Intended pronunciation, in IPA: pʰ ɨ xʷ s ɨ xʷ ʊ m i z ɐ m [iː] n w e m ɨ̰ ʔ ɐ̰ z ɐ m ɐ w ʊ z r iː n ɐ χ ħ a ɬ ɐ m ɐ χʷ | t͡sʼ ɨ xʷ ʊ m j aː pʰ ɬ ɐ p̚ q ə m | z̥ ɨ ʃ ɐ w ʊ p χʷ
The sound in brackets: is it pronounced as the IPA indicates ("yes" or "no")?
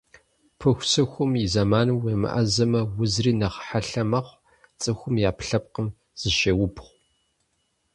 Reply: no